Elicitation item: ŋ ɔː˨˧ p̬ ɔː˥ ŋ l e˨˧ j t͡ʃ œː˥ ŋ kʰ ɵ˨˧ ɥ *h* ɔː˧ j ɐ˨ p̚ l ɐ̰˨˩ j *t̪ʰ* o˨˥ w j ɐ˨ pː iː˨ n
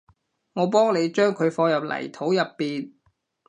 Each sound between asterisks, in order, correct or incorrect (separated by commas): incorrect, correct